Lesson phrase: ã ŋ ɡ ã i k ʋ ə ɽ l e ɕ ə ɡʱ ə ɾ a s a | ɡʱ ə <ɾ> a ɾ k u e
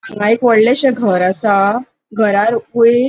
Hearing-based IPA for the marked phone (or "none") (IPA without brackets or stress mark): ɾ